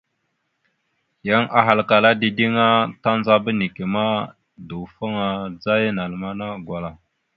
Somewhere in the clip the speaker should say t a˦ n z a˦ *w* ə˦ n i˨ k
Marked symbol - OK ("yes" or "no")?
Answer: no